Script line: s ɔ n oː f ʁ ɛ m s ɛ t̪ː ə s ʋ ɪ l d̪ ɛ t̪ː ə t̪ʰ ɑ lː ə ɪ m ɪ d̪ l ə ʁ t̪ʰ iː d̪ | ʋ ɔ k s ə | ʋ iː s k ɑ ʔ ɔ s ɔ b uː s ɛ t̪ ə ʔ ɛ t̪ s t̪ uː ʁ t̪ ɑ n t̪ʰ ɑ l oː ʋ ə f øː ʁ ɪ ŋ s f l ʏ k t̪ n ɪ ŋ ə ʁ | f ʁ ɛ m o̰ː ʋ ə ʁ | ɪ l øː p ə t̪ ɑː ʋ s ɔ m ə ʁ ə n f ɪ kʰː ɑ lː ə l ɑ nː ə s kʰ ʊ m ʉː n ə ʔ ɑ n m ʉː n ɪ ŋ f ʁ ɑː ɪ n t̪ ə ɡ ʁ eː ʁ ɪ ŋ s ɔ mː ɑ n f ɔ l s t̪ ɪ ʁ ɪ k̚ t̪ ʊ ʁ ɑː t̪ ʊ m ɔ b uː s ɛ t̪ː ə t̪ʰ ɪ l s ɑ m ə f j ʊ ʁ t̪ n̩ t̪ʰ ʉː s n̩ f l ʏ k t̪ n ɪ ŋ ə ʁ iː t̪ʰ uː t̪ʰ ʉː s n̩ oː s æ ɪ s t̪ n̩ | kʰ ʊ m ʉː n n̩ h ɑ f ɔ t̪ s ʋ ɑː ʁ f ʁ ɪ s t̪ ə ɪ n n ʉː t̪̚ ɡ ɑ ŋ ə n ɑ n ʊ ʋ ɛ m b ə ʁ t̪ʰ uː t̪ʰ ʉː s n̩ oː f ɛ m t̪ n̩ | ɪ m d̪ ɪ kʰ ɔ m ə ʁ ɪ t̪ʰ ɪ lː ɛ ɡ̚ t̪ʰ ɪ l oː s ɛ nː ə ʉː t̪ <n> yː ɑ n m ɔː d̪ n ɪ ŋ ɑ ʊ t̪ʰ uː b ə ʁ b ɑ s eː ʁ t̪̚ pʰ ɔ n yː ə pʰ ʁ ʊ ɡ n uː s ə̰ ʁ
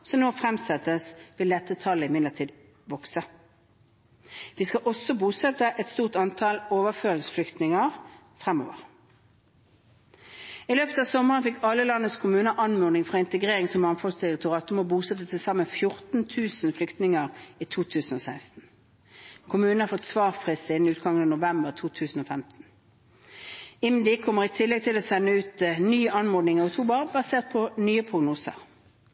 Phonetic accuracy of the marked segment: correct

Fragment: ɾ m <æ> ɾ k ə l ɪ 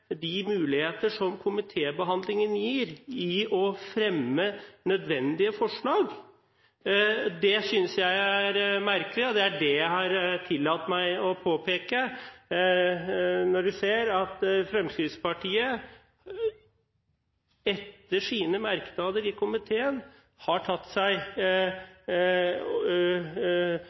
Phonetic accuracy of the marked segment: correct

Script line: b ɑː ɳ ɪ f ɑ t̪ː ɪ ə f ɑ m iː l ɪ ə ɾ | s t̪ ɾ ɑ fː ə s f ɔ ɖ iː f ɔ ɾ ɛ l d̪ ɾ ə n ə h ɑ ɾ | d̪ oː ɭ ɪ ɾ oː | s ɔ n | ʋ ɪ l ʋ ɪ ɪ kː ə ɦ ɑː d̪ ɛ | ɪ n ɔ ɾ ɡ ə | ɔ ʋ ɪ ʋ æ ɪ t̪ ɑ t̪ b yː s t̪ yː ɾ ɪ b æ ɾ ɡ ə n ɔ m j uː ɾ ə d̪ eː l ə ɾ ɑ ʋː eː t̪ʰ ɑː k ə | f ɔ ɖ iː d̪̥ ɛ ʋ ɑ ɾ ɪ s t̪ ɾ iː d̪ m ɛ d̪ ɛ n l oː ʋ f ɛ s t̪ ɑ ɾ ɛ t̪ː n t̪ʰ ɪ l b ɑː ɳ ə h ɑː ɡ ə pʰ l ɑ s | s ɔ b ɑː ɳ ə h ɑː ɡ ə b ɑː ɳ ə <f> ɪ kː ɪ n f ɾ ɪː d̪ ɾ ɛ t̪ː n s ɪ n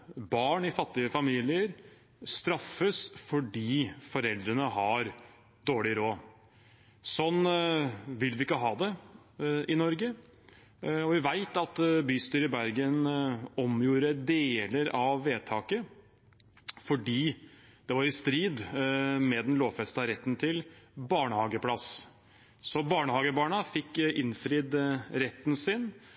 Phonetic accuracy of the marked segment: correct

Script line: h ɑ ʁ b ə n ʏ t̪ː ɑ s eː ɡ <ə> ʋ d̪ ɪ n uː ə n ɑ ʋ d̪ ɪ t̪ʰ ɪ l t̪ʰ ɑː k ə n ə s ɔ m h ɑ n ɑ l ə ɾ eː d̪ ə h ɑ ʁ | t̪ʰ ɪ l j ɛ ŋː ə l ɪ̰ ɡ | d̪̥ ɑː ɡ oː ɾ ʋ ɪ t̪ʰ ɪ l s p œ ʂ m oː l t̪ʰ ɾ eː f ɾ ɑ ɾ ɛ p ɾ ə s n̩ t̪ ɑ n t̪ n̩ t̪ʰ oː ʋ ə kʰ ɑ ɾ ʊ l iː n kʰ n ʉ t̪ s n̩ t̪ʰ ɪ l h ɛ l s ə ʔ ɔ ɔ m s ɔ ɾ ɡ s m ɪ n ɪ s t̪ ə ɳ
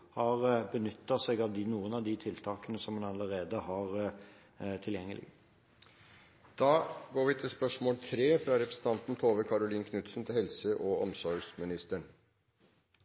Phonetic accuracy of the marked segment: incorrect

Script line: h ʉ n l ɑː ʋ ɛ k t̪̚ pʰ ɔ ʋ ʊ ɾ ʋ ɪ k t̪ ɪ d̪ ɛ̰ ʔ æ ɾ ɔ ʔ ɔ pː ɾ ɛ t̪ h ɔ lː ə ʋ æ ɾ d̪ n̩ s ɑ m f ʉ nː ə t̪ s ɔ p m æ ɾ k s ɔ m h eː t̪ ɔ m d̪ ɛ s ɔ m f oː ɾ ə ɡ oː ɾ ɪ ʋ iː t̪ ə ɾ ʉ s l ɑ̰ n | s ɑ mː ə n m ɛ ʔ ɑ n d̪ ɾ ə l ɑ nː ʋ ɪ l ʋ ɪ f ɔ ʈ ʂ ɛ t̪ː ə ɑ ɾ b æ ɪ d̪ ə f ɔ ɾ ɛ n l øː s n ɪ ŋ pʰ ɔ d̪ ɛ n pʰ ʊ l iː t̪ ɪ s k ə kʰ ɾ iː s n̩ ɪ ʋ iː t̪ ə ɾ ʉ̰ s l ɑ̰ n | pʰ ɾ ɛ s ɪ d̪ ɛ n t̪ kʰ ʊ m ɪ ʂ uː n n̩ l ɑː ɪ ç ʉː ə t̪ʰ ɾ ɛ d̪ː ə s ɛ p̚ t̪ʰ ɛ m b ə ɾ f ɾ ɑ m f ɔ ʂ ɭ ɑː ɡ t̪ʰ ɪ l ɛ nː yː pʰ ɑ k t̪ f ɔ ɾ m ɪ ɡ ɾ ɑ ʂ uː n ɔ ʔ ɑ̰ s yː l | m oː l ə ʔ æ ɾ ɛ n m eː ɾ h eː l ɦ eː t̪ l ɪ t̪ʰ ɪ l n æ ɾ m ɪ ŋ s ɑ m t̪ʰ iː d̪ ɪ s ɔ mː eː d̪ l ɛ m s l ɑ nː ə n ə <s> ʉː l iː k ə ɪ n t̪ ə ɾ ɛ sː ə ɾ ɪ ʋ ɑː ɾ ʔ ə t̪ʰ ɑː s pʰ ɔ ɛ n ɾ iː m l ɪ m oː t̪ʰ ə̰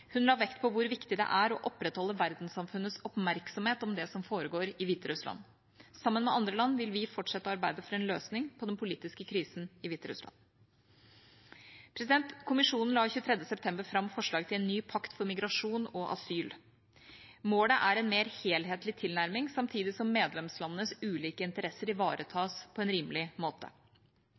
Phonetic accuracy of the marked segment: correct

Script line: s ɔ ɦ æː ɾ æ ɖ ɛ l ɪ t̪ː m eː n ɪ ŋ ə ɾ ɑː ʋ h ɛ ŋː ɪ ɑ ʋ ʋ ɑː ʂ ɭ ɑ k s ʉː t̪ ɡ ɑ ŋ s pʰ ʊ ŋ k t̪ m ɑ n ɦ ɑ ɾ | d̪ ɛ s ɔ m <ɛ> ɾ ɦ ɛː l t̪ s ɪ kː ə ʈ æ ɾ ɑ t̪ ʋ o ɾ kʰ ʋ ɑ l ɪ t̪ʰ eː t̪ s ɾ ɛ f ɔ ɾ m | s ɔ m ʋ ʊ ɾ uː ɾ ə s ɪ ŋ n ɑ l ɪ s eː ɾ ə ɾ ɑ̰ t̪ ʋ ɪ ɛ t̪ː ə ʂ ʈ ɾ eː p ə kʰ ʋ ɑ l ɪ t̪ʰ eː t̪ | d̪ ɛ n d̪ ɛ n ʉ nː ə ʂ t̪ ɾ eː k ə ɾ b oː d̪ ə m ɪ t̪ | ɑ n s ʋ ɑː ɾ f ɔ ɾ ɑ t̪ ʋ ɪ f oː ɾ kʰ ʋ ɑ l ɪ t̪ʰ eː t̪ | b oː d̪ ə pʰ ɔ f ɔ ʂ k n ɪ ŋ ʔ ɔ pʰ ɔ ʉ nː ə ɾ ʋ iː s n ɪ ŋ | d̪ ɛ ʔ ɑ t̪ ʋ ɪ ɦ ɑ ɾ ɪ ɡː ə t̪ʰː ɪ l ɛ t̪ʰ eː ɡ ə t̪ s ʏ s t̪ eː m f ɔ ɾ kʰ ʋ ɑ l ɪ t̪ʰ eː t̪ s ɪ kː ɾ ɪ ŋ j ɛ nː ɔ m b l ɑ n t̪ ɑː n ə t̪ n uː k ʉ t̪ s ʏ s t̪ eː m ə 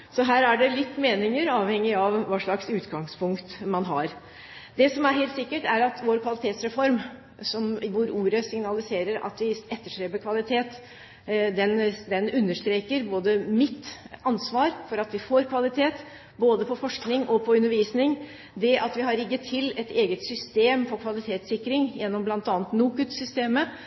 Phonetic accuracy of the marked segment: incorrect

